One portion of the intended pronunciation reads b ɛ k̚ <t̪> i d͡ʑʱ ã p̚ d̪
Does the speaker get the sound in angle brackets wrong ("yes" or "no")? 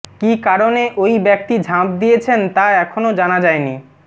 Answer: no